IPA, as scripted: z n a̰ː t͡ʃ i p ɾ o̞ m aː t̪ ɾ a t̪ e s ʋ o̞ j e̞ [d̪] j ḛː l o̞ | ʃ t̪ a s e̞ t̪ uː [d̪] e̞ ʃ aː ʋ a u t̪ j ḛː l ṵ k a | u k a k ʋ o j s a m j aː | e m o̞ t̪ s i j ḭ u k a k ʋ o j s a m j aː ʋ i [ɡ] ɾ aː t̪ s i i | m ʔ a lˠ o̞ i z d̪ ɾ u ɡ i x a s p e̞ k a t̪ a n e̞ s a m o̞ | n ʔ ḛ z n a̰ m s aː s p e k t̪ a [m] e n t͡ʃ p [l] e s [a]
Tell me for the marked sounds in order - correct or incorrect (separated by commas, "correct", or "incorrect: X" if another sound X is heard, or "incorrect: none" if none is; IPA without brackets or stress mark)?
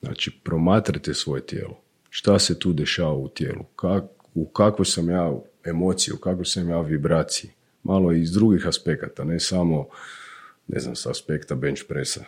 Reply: incorrect: t̪, correct, incorrect: b, incorrect: b, incorrect: ɾ, correct